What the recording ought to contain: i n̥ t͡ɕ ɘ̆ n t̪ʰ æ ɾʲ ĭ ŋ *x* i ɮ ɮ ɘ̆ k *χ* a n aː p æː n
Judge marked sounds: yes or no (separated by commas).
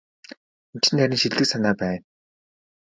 no, no